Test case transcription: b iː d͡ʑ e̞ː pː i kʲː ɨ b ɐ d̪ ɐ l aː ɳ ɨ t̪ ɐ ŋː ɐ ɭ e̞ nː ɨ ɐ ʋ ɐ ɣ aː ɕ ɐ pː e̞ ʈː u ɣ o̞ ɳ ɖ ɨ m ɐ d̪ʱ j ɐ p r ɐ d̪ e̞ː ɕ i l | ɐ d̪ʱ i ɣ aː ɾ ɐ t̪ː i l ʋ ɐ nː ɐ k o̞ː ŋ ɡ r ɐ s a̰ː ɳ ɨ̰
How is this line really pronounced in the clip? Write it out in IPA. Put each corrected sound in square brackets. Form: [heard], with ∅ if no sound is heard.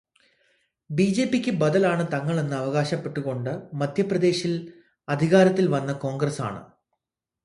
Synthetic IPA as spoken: b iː d͡ʑ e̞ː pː i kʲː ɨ b ɐ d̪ ɐ l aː ɳ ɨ t̪ ɐ ŋː ɐ ɭ e̞ nː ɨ ɐ ʋ ɐ ɣ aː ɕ ɐ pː e̞ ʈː u ɣ o̞ ɳ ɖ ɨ m ɐ d̪ʱ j ɐ p r ɐ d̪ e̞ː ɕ i l | ɐ d̪ʱ i ɣ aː ɾ ɐ t̪ː i l ʋ ɐ nː ɐ k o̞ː ŋ ɡ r ɐ s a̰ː ɳ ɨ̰